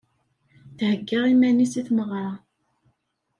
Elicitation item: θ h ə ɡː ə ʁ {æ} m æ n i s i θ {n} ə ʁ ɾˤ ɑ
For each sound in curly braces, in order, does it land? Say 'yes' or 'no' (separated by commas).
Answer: no, no